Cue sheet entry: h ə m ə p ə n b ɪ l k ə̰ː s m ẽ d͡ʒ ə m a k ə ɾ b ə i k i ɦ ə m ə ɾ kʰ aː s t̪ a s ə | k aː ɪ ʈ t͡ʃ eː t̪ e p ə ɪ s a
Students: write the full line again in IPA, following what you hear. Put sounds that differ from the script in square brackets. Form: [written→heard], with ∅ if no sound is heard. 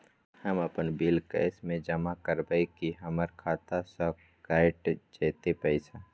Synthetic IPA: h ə m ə p ə n b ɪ l k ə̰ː s m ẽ d͡ʒ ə m a k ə ɾ b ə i k i ɦ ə m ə ɾ kʰ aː [s→∅] t̪ a s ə | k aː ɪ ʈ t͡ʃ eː t̪ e p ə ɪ s a

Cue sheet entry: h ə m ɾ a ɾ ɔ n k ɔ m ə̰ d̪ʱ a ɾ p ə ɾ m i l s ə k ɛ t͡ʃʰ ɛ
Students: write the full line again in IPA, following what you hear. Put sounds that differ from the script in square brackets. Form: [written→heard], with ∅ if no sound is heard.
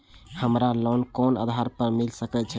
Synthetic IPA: h ə m ɾ a [ɾ→l] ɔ n k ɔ [m→n] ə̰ d̪ʱ a ɾ p ə ɾ m i l s ə k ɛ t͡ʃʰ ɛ

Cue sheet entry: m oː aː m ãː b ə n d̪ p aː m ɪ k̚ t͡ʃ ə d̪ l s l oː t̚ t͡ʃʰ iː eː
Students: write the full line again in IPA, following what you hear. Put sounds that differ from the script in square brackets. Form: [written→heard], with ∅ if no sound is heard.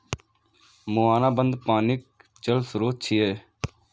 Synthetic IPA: m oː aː [m→n] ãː b ə n d̪ p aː [m→n] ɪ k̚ t͡ʃ ə [d̪→∅] l s [l→ɾ] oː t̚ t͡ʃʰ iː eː

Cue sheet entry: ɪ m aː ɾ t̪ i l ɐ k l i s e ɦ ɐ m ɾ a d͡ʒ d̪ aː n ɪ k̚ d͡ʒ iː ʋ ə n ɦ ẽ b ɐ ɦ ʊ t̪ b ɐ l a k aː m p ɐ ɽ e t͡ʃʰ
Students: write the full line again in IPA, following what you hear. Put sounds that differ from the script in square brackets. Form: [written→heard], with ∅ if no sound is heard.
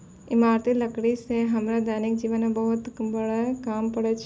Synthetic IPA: ɪ m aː ɾ t̪ i l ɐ k [l→ɽ] i s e ɦ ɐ m ɾ a [d͡ʒ→∅] d̪ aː n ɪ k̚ d͡ʒ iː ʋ ə n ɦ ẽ b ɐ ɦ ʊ t̪ b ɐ [l→ɽ] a k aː m p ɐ ɽ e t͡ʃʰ

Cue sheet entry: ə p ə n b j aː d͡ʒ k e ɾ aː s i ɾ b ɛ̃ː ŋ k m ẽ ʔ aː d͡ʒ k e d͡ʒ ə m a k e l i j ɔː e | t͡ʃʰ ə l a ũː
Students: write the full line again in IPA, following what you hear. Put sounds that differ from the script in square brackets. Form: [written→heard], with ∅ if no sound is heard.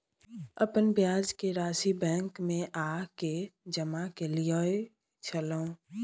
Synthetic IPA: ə p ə n b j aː d͡ʒ k e ɾ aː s i [ɾ→∅] b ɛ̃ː ŋ k m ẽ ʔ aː [d͡ʒ→∅] k e d͡ʒ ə m a k e l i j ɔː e | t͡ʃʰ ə l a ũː

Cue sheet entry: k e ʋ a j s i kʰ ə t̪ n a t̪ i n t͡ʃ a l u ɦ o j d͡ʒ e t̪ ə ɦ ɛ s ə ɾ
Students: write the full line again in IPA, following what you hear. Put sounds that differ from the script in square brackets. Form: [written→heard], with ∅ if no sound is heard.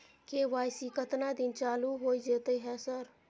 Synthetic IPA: k e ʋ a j s i [kʰ→k] ə t̪ n a [t̪→d̪] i n t͡ʃ a l u ɦ o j d͡ʒ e t̪ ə ɦ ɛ s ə ɾ

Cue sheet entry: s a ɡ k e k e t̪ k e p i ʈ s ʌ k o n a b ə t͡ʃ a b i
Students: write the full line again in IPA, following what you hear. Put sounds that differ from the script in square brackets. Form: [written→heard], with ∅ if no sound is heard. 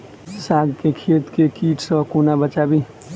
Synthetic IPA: s a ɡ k e [k→kʰ] e t̪ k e [p→k] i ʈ s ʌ k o n a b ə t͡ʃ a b i

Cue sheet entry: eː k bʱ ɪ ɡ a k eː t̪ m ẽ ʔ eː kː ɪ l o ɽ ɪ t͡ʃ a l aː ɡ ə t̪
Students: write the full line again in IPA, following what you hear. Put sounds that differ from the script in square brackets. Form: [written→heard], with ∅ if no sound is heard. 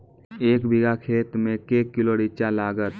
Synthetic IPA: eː k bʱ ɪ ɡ a [k→kʰ] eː t̪ m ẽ [ʔ→k] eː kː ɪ l o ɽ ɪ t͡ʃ a l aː ɡ ə t̪

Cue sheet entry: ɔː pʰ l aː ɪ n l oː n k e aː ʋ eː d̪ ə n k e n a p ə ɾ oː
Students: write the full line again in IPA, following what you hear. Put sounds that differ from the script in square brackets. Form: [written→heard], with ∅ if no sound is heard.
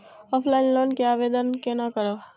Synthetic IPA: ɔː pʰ l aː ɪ n l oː n k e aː ʋ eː d̪ ə n k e n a [p→k] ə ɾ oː

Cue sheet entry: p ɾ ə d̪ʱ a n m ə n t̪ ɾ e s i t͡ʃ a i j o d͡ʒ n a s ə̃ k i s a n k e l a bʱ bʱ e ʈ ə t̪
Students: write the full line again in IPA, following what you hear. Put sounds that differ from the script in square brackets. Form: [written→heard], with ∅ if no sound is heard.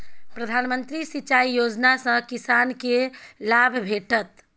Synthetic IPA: p ɾ ə d̪ʱ a n m ə n t̪ ɾ [e→i] s i t͡ʃ a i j o d͡ʒ n a s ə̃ k i s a n k e l a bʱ bʱ e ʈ ə t̪

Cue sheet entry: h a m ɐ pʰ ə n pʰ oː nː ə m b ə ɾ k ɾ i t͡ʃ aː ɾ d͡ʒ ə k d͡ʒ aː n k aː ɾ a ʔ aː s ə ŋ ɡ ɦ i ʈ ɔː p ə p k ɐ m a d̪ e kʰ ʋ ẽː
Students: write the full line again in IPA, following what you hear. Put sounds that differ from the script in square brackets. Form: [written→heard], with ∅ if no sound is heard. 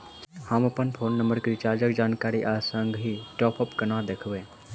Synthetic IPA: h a m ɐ [pʰ→p] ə n pʰ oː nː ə m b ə ɾ k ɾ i t͡ʃ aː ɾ d͡ʒ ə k d͡ʒ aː n k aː ɾ [a→i] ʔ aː s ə ŋ ɡ ɦ i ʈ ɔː p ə p k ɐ [m→n] a d̪ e kʰ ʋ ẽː

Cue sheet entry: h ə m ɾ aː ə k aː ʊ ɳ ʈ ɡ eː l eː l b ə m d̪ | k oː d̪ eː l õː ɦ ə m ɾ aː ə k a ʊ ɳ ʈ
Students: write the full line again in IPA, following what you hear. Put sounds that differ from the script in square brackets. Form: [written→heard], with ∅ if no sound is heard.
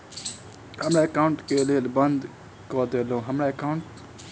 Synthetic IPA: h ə m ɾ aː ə k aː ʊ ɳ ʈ [ɡ→k] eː l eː l b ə [m→n] d̪ | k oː d̪ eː l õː ɦ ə m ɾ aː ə k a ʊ ɳ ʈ

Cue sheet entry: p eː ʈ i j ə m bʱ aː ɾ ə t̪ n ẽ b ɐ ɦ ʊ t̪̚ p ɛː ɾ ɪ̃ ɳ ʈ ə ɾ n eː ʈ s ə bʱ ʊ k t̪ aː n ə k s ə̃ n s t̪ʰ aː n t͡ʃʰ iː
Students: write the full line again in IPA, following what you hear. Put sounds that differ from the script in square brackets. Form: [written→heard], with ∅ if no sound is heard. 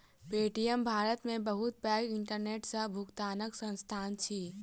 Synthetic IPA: p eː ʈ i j ə m bʱ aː ɾ ə t̪ [n→m] ẽ b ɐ ɦ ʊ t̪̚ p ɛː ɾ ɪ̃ ɳ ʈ ə ɾ n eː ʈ s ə bʱ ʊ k t̪ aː n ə k s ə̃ n s t̪ʰ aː n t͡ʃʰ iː

